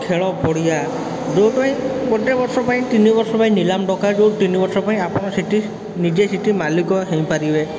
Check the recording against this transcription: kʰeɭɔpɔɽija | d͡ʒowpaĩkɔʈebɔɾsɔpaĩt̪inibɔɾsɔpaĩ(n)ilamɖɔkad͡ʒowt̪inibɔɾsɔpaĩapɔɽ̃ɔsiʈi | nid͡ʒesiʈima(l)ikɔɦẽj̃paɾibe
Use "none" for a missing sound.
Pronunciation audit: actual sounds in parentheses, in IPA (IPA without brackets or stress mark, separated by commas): n, l